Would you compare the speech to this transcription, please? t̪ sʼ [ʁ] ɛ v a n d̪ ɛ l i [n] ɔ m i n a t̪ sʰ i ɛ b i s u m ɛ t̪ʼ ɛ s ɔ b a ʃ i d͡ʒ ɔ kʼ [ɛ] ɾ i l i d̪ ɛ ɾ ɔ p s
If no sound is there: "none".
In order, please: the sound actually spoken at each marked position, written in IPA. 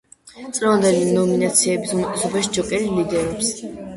ʁ, n, ɛ

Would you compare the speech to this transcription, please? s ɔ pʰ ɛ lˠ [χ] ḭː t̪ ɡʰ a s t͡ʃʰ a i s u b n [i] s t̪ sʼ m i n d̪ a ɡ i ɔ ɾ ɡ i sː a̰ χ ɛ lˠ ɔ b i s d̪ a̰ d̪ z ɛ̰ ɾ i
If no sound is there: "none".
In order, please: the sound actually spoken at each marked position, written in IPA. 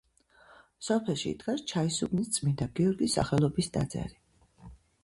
ʃ, i

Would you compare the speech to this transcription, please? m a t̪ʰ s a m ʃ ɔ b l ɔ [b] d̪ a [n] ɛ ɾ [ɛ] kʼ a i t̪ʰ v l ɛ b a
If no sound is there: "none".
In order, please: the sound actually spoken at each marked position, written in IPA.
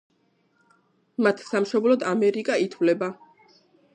none, m, i

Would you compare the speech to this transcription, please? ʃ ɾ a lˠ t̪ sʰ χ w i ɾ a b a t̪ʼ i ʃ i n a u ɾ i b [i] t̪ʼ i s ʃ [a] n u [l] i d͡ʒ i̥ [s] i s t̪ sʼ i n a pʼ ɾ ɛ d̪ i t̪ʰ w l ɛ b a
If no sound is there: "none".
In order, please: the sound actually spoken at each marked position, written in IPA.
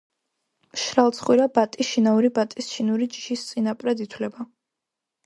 a, i, ɾ, ʃ

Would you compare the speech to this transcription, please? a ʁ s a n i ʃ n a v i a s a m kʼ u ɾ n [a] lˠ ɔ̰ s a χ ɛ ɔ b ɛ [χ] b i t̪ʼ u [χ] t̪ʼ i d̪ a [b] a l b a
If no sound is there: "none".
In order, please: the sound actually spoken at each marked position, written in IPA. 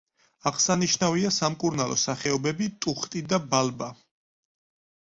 a, none, χ, b

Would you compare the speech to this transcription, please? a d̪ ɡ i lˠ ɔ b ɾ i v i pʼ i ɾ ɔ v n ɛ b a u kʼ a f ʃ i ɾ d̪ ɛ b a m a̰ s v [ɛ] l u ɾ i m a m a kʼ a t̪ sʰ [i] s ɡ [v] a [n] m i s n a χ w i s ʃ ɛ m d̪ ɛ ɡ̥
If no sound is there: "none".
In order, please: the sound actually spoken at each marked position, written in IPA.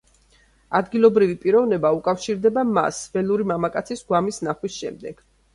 ɛ, i, w, none

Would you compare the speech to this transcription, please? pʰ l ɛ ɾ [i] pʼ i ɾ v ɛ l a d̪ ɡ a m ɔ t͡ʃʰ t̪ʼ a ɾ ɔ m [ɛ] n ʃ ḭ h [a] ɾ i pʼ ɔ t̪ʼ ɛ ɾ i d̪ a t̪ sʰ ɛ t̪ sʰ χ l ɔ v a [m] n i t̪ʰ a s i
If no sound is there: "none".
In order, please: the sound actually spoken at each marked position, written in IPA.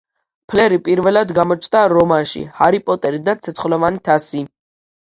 i, a, a, none

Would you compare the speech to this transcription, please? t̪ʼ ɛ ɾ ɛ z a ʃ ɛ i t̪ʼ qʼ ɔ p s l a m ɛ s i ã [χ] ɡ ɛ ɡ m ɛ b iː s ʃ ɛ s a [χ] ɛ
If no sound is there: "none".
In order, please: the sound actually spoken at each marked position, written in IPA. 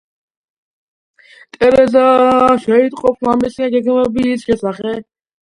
none, χ

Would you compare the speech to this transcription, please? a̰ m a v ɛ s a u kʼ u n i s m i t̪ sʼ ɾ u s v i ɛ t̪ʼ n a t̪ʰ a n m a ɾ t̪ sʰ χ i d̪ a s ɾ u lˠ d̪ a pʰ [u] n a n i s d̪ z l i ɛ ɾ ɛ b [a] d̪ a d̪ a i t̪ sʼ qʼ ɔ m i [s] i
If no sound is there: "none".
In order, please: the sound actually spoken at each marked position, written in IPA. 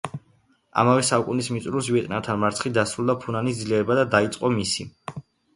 u, a, s

